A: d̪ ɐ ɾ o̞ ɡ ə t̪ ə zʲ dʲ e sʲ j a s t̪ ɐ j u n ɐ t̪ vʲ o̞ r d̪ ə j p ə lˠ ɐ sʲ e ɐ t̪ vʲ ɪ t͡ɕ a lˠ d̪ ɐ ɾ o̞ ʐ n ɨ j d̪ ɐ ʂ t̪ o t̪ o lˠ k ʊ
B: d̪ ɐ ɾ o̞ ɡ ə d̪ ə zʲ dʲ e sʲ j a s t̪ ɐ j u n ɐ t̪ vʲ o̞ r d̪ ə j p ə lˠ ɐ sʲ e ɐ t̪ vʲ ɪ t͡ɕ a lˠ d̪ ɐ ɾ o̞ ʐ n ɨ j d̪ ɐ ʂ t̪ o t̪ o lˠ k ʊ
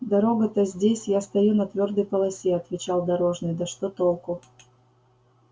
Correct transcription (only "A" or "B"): A